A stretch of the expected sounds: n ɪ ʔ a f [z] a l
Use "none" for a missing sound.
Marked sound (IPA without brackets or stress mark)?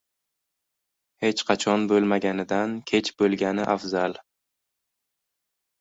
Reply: z